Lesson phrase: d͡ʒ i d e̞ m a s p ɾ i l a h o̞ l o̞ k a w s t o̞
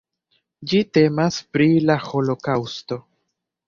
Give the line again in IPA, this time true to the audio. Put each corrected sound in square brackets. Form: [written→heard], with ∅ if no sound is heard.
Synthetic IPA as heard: d͡ʒ i [d→t] e̞ m a s p ɾ i l a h o̞ l o̞ k a w s t o̞